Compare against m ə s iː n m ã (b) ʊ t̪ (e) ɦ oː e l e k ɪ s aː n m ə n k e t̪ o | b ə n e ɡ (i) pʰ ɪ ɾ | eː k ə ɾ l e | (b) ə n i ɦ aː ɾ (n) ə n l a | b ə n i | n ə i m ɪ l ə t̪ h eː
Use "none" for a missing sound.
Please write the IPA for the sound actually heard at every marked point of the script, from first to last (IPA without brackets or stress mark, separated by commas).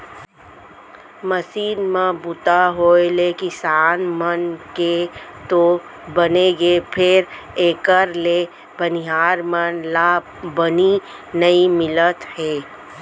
b, a, e, b, m